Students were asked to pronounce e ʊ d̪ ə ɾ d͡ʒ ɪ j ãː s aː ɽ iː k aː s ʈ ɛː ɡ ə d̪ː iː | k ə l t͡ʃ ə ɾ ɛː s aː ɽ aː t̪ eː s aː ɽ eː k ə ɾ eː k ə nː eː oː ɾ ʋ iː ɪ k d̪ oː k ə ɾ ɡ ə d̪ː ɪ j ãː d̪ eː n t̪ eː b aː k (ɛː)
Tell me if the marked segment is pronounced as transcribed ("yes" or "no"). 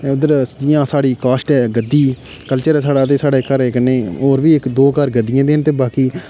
no